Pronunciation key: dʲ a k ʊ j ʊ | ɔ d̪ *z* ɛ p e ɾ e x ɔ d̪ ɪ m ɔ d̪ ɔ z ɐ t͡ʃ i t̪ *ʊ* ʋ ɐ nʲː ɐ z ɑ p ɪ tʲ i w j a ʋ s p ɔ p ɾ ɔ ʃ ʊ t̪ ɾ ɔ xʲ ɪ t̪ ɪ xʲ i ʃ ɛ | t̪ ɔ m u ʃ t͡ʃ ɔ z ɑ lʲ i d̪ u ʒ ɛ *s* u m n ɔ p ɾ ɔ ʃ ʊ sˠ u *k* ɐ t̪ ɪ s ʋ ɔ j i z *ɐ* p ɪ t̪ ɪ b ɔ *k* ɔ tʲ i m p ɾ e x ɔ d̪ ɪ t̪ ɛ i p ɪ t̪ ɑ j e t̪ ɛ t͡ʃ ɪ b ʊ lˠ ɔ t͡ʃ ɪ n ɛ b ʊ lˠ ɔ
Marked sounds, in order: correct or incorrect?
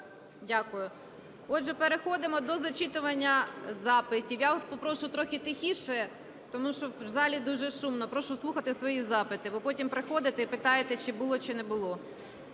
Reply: incorrect: ʒ, correct, incorrect: ʃ, incorrect: x, incorrect: ɑ, incorrect: p

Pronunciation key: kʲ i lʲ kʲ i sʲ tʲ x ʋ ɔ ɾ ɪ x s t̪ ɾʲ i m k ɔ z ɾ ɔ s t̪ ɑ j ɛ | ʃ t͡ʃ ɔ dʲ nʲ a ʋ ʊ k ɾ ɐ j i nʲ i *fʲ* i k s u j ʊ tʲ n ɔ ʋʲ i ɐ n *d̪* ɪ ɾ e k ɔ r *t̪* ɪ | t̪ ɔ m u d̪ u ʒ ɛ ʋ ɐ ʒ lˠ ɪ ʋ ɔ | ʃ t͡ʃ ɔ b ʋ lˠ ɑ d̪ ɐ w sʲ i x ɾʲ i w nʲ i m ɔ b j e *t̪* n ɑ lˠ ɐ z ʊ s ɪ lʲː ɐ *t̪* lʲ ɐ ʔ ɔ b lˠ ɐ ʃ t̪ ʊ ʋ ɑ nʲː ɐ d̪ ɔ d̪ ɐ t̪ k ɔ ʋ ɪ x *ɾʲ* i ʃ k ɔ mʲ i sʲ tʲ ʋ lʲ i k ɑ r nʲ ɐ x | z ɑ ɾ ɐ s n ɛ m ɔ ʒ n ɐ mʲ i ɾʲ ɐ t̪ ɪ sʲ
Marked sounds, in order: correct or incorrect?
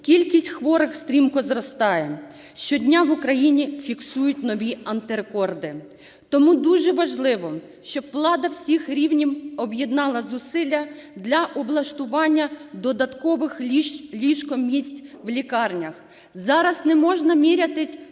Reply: correct, incorrect: t̪, incorrect: d̪, incorrect: d̪, incorrect: d̪, incorrect: lʲ

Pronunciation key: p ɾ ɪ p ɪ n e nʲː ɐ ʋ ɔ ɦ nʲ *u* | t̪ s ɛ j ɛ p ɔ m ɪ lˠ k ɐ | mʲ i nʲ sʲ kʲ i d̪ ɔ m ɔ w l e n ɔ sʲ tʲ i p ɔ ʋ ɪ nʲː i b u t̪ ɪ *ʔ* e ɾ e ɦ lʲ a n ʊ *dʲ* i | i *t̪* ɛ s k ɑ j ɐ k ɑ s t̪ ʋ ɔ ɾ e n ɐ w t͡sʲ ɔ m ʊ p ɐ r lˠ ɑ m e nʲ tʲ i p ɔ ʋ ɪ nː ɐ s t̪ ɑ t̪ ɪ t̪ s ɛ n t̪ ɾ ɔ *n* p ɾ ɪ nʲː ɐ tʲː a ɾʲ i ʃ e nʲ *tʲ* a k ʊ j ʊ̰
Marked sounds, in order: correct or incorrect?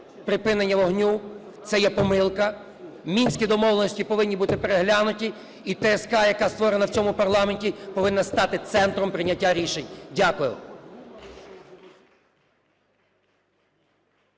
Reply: correct, incorrect: p, incorrect: tʲ, correct, incorrect: m, incorrect: dʲ

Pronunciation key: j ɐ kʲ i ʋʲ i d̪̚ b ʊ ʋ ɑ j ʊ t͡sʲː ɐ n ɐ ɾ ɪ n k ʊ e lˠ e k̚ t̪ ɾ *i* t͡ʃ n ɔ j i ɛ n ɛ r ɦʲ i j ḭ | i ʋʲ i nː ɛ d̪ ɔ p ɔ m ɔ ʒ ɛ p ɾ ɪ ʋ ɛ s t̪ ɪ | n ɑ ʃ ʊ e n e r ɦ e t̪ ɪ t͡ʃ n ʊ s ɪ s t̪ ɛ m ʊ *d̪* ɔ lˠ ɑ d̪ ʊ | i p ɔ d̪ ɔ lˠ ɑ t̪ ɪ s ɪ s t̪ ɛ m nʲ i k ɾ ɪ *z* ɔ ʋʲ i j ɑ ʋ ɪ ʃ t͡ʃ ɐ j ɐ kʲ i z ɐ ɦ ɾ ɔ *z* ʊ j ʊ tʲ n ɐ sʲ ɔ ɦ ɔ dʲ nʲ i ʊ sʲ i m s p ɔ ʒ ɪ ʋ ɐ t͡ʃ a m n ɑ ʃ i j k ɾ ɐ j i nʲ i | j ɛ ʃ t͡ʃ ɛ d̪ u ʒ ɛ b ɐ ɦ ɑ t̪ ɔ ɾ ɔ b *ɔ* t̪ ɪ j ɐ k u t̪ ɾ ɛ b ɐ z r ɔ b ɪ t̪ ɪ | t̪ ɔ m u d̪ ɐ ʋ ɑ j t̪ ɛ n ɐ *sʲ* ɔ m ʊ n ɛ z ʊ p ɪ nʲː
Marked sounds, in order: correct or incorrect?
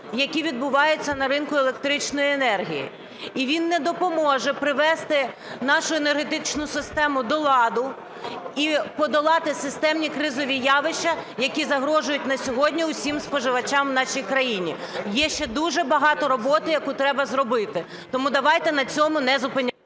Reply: incorrect: ɪ, correct, correct, incorrect: ʒ, correct, incorrect: t͡sʲ

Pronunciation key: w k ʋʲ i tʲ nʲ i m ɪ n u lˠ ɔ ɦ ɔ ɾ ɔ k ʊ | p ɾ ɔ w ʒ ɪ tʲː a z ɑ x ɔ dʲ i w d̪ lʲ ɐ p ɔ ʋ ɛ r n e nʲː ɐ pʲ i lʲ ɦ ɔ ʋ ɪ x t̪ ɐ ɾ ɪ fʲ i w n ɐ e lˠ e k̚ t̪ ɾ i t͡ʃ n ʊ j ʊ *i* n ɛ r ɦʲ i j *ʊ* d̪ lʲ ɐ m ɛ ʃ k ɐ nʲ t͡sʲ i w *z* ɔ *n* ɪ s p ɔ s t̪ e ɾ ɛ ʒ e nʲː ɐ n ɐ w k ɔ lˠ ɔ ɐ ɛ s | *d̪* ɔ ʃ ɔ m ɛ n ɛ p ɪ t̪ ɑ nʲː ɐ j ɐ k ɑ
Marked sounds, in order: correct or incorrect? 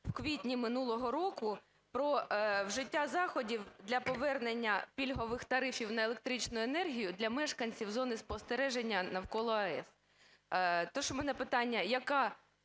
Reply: incorrect: e, correct, correct, correct, incorrect: t̪

